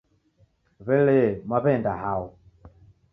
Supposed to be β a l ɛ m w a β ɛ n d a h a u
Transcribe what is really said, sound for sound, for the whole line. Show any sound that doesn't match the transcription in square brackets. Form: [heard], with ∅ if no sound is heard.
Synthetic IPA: β [ɛ] l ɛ m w a β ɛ n d a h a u